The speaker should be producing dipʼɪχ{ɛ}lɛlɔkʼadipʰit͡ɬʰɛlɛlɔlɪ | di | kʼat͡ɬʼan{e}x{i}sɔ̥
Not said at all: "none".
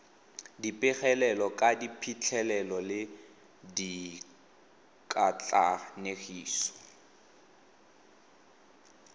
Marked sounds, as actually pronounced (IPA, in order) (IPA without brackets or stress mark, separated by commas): ɛ, e, iː